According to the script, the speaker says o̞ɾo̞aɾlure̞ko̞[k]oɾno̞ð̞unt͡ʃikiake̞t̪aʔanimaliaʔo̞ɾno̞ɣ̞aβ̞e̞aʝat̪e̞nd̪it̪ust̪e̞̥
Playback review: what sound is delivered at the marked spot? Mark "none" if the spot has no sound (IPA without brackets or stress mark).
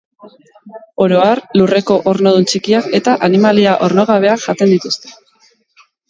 ʔ